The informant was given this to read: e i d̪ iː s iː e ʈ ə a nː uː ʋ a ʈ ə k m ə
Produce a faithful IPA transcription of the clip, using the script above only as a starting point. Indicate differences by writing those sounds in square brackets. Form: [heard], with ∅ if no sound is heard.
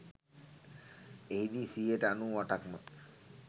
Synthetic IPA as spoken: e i d̪ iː s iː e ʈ ə a [n] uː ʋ a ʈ [a] k m ə